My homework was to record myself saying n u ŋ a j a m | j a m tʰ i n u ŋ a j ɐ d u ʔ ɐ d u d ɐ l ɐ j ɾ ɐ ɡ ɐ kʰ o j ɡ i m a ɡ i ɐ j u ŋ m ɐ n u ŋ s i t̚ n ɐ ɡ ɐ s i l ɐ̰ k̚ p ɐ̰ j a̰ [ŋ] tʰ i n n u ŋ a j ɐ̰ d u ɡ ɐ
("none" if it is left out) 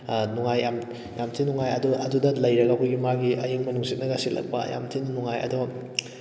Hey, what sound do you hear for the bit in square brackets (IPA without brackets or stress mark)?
m